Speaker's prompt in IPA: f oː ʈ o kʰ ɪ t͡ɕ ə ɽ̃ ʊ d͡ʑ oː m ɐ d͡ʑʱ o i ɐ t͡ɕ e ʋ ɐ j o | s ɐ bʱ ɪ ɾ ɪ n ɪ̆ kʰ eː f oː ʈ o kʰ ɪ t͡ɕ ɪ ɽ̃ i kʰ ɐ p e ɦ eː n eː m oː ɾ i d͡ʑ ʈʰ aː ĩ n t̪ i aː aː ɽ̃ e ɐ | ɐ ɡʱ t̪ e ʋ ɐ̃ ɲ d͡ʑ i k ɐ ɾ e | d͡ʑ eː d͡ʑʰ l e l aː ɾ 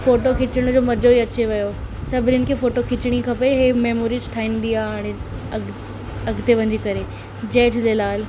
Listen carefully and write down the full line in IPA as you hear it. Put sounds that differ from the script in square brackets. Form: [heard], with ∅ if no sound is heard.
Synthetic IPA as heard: f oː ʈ o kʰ ɪ t͡ɕ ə ɽ̃ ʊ d͡ʑ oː m ɐ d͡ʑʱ o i ɐ t͡ɕ e ʋ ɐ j o | s ɐ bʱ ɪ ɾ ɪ n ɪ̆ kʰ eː f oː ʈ o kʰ ɪ t͡ɕ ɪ ɽ̃ i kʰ ɐ p e ɦ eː [m] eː m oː ɾ i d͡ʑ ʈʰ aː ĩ n [d̪] i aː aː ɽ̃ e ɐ | ɐ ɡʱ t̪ e ʋ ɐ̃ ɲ d͡ʑ i k ɐ ɾ e | d͡ʑ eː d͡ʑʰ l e l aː [l]